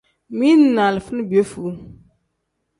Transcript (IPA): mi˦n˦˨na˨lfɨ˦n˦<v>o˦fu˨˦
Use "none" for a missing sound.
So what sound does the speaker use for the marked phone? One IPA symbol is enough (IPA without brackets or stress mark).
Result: b